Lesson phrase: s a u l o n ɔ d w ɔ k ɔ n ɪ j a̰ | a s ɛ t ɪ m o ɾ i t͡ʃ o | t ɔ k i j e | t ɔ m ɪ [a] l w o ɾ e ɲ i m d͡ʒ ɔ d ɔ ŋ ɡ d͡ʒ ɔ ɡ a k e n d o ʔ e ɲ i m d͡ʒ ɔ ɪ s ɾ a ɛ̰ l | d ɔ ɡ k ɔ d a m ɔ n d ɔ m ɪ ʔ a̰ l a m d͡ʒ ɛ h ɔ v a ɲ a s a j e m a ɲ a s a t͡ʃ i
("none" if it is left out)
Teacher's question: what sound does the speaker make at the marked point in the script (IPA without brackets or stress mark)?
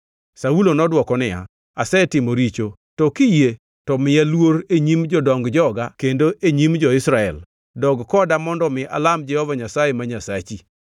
a